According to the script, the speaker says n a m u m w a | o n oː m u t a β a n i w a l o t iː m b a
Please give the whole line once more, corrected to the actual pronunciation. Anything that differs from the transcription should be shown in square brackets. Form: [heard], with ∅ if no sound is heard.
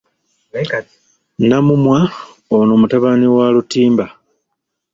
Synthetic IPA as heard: n a m u m w a | o n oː m u t a β a n i w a l [u] t iː m b a